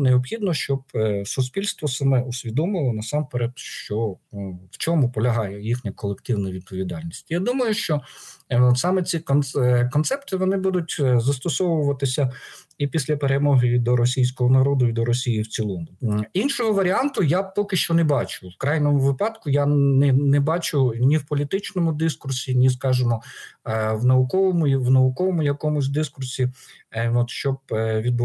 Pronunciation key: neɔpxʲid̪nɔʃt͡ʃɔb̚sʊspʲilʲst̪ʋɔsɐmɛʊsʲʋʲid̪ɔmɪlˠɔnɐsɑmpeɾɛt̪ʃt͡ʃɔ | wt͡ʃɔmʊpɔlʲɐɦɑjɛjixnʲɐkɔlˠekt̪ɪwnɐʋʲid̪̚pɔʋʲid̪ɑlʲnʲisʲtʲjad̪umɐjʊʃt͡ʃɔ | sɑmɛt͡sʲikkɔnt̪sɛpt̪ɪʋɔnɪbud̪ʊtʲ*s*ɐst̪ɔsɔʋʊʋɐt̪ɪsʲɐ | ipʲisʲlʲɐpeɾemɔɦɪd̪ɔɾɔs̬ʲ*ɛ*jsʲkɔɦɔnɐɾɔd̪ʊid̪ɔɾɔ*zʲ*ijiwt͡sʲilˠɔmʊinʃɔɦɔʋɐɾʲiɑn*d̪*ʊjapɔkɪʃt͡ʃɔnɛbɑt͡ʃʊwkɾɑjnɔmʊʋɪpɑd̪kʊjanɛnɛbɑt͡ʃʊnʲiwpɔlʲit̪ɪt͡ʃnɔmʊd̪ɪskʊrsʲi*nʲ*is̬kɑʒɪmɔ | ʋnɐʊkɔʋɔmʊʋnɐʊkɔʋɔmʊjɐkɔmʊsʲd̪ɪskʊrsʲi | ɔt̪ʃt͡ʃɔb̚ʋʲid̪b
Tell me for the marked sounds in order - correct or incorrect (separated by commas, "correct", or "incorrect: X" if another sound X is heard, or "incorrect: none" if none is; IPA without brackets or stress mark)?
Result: incorrect: z, incorrect: i, incorrect: sʲ, incorrect: t̪, correct